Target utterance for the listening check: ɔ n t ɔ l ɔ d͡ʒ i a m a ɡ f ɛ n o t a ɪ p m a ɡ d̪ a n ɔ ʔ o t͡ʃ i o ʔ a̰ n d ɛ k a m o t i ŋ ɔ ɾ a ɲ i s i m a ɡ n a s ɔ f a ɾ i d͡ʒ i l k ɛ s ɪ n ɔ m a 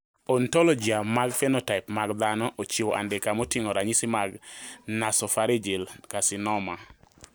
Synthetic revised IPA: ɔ n t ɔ l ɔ d͡ʒ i a m a ɡ f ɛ n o t a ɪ p m a ɡ d̪ a n ɔ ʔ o t͡ʃ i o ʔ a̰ n d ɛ k a m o t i ŋ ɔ ɾ a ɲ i s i m a ɡ n a s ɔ f a ɾ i d͡ʒ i l k a s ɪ n ɔ m a